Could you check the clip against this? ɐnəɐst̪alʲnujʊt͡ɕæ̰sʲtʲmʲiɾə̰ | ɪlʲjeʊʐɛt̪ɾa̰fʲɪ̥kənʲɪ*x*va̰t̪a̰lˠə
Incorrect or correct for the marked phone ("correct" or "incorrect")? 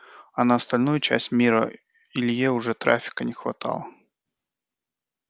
correct